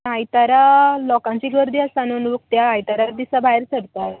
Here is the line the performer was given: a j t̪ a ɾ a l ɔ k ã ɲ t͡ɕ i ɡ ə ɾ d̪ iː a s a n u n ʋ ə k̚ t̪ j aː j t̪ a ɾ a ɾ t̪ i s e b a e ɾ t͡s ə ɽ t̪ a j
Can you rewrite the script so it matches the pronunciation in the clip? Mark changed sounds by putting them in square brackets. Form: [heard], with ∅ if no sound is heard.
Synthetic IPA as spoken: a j t̪ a ɾ a l ɔ k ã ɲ t͡ɕ i ɡ ə ɾ d̪ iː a s a n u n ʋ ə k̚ t̪ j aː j t̪ a ɾ a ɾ [d̪] i s [a] b a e ɾ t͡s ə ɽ t̪ a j